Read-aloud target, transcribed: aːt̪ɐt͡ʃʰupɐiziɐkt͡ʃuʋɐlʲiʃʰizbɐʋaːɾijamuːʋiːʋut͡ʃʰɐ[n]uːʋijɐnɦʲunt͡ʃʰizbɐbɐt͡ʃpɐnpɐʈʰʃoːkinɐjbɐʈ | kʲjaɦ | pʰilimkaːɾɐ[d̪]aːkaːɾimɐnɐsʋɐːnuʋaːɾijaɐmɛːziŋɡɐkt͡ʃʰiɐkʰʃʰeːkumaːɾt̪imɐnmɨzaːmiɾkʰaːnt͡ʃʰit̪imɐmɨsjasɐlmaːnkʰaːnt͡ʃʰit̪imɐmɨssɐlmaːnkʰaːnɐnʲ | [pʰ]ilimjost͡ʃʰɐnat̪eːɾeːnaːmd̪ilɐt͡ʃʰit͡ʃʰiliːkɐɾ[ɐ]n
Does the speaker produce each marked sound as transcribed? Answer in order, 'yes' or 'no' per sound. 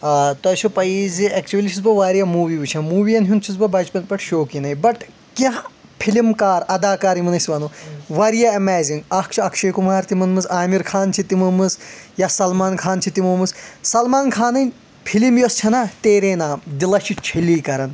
no, yes, yes, yes

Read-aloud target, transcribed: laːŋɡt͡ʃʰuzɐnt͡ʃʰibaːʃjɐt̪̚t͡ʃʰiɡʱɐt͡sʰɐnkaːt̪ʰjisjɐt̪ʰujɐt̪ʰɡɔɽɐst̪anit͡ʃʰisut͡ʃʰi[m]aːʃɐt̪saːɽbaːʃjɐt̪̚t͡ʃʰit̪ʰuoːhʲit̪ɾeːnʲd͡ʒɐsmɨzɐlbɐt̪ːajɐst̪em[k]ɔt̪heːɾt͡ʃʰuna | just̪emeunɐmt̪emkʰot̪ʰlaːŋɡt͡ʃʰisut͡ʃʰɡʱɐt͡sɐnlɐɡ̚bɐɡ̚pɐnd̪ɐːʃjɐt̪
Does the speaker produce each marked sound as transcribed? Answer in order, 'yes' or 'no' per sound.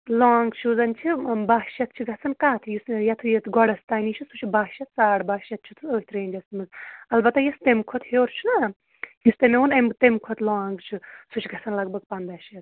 no, no

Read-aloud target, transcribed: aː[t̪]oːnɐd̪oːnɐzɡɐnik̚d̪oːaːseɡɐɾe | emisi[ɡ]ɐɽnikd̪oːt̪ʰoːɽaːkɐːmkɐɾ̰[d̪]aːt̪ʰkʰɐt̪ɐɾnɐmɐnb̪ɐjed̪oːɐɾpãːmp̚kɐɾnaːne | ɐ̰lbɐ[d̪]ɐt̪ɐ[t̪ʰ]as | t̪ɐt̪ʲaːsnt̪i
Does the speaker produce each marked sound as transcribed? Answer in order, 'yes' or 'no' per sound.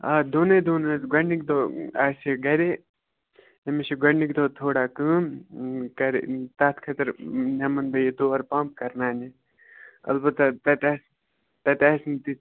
no, yes, no, no, no

